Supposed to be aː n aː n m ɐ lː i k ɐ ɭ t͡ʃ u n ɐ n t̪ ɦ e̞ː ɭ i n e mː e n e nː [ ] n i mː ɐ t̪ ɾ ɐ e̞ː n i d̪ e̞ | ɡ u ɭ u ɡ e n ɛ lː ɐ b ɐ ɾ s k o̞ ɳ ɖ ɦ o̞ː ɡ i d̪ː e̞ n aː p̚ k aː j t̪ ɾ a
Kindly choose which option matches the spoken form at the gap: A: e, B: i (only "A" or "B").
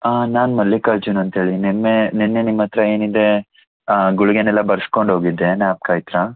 A